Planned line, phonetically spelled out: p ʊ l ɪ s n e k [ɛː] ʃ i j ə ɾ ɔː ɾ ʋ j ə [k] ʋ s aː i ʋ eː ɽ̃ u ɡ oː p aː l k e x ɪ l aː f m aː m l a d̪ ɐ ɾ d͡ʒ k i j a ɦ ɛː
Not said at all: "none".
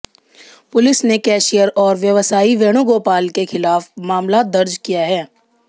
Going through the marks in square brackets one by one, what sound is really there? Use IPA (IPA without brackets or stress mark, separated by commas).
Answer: ɛː, none